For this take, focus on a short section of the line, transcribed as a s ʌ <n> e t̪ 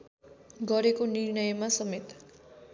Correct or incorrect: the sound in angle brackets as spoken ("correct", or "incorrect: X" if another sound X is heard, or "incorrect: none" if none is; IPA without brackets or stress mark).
incorrect: m